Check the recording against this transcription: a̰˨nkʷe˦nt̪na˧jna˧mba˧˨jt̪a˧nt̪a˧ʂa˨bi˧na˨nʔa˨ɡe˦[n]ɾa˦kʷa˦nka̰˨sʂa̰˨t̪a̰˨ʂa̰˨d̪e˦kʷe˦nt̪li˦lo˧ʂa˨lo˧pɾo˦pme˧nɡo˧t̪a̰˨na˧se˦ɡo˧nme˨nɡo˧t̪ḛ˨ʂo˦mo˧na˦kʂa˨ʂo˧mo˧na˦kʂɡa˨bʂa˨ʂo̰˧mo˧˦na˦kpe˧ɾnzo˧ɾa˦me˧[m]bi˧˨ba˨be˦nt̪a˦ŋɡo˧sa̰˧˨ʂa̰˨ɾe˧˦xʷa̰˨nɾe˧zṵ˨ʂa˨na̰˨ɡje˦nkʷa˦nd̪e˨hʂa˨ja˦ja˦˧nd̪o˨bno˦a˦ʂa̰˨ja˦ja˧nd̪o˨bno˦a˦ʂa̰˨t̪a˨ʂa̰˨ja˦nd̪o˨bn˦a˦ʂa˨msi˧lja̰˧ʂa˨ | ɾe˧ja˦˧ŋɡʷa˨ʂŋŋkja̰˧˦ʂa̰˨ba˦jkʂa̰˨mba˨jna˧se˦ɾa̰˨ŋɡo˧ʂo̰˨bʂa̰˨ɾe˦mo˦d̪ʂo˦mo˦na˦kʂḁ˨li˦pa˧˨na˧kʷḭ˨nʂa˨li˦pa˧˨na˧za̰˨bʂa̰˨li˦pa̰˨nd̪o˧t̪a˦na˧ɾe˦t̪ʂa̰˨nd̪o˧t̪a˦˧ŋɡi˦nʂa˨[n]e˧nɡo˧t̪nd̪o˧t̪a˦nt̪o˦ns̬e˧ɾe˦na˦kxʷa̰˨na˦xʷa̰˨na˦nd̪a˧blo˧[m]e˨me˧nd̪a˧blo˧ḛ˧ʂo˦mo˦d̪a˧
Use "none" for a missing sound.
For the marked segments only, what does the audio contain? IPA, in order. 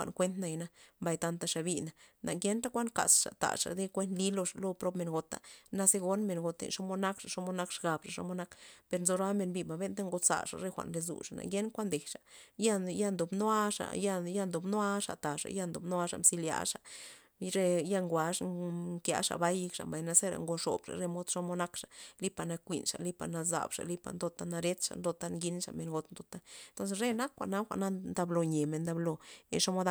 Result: n, n, m, ɲ

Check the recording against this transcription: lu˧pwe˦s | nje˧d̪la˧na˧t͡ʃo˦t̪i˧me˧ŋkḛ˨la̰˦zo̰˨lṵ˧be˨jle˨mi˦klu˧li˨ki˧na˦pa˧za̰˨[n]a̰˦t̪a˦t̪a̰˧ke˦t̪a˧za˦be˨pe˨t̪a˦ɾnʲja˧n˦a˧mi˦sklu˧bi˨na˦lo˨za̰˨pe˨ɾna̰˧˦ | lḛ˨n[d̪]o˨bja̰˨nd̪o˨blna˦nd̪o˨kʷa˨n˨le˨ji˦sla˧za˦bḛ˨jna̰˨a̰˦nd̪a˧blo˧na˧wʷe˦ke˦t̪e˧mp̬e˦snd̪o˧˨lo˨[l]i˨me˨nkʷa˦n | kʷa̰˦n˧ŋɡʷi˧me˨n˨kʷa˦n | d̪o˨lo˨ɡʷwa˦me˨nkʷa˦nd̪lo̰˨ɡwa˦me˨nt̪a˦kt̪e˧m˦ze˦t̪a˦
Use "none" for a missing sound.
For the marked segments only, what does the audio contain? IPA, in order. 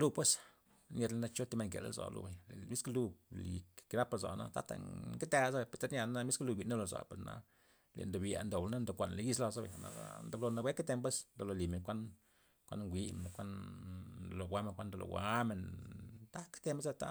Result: n, d̪, l

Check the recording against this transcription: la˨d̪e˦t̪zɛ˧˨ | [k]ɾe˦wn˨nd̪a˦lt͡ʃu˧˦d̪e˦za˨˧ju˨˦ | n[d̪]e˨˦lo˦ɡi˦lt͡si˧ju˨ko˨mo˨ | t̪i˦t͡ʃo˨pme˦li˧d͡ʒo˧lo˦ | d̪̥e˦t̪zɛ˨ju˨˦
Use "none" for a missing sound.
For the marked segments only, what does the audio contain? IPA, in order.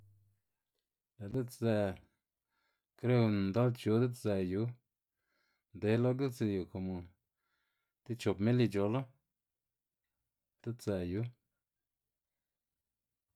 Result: k, d̪

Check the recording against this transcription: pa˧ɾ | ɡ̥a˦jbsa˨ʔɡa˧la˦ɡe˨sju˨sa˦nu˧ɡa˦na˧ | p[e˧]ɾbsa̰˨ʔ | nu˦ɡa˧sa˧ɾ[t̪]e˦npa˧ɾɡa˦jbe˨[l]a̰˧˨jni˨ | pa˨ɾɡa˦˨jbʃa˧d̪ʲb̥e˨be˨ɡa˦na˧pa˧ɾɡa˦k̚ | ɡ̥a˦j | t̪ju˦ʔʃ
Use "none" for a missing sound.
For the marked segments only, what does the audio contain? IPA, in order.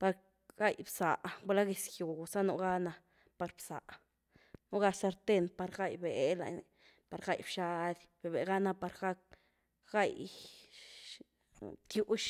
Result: a˧, t̪, l

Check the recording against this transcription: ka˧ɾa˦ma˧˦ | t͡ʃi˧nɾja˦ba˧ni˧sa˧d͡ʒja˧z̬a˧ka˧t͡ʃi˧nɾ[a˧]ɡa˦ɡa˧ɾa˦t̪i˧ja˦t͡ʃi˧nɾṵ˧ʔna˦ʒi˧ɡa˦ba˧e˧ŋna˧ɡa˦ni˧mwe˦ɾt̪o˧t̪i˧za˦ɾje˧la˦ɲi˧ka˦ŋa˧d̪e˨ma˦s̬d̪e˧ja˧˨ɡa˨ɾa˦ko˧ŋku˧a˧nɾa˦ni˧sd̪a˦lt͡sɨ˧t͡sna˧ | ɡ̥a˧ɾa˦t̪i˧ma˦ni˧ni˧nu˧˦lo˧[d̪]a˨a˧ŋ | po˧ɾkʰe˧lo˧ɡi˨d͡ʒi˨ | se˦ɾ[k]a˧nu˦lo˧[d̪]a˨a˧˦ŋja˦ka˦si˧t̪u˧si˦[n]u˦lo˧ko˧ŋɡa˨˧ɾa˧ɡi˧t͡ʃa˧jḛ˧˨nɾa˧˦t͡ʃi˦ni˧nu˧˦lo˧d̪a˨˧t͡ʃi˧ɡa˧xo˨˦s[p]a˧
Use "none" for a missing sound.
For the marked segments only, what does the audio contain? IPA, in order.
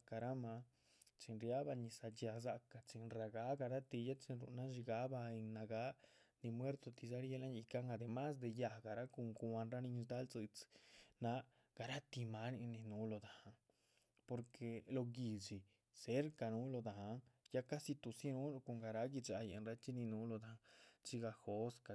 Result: a˧, d̪, k, d̪, n, k

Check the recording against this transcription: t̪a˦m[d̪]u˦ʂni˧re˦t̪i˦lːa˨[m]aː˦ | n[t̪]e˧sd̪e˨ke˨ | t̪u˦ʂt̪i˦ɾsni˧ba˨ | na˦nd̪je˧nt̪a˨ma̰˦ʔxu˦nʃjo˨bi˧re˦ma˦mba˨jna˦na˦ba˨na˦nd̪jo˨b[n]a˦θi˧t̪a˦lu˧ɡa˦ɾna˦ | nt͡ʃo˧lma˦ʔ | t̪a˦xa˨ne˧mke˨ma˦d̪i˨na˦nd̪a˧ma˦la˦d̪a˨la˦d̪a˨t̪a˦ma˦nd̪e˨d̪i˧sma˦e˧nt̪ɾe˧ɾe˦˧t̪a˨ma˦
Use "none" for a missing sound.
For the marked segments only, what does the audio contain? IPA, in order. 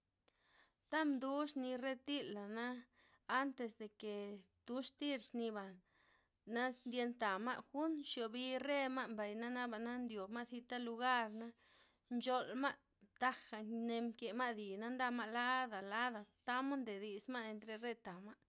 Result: d̪, n, t̪, m

